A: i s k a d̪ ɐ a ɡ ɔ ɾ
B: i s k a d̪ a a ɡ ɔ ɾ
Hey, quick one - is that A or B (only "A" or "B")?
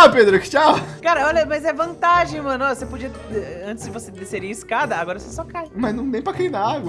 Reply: A